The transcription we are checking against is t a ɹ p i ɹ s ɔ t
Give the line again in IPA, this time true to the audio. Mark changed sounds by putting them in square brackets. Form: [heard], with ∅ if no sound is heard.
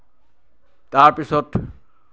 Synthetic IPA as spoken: t a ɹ p i [∅] s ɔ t